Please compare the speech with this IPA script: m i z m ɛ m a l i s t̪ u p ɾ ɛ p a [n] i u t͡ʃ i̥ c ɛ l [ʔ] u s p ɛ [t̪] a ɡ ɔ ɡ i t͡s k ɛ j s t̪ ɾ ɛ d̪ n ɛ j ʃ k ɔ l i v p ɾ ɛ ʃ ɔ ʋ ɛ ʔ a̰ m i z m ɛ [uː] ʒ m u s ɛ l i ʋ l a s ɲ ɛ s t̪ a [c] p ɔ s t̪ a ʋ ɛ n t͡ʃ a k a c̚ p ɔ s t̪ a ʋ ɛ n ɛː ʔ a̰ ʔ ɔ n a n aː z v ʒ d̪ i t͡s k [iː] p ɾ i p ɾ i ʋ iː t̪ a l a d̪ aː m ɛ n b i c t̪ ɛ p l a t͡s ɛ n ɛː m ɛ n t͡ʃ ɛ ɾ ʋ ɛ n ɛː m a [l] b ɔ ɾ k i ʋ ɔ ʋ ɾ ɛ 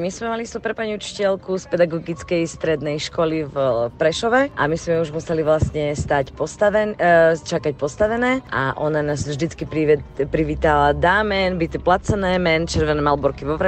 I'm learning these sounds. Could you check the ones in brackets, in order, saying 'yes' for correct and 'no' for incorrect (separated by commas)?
no, no, no, no, yes, no, yes